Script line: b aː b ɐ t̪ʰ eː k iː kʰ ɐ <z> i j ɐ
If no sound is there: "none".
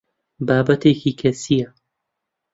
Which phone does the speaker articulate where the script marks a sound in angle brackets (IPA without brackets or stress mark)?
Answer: s